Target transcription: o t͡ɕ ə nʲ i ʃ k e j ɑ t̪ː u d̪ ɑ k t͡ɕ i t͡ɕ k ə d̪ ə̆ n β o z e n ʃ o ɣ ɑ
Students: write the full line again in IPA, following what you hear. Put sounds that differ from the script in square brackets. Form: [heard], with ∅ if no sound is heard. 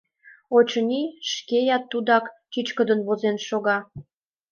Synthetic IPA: o t͡ɕ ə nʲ i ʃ k e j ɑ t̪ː u d̪ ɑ k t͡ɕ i t͡ɕ k ə d̪ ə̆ n β o z e n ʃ o ɣ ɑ